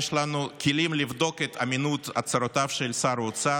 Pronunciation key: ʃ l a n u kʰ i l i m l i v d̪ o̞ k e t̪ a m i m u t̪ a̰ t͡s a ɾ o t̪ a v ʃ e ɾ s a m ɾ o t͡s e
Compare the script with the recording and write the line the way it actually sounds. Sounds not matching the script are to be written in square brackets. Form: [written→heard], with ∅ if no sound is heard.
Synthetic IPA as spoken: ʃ l a n u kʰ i l i m l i v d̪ o̞ k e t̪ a m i [m→n] u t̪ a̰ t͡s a ɾ o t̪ a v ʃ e [ɾ→l] s a [m→∅] ɾ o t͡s [e→a]

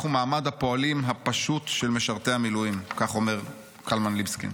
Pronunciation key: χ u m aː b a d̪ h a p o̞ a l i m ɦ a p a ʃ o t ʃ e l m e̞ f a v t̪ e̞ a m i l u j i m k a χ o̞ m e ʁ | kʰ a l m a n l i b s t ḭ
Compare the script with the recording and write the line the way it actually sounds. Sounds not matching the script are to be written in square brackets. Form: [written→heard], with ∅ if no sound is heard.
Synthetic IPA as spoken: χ u m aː [b→m] a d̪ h a p o̞ a l i m ɦ a p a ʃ [o→u] t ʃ e l m e̞ [f→ʃ] a [v→ʁ] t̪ e̞ a m i l u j i m k a χ o̞ m e ʁ | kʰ a l m a n l i b s [t→k] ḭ

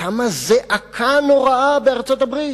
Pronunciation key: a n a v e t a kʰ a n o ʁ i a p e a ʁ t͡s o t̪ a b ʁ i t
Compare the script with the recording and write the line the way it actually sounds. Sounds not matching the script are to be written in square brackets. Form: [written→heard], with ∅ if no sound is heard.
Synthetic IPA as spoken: a [n→m] a [v→z] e [t→ʔ] a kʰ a n o ʁ [i→a] a [p→b] e a ʁ t͡s o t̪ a b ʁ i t

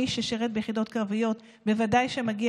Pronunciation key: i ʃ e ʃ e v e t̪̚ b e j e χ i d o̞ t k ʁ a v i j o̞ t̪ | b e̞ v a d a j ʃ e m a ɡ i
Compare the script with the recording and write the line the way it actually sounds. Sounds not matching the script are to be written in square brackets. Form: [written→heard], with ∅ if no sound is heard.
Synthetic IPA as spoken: i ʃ e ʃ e [v→ʁ] e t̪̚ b e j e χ i d o̞ t k ʁ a v i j o̞ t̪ | b e̞ v a d a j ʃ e m a ɡ i

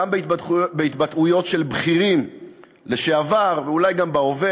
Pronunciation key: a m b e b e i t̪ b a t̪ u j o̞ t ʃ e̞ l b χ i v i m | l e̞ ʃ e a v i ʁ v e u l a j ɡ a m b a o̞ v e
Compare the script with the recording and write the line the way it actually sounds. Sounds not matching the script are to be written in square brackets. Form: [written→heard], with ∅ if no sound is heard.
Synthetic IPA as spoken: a m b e b e i t̪ b a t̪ u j o̞ t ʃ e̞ l b χ i [v→ʁ] i m | l e̞ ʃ e a v [i→a] ʁ v e u l a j ɡ a m b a o̞ v e

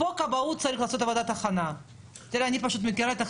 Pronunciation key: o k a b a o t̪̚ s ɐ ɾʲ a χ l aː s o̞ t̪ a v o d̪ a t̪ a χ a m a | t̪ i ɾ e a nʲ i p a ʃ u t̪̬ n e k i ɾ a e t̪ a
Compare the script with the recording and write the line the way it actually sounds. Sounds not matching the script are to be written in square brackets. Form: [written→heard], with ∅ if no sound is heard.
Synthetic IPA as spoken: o k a b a [o→u] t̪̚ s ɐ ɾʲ [a→i] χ l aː s o̞ t̪ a v o d̪ a t̪ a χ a [m→n] a | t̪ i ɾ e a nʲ i p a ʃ u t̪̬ [n→m] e k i ɾ a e t̪ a

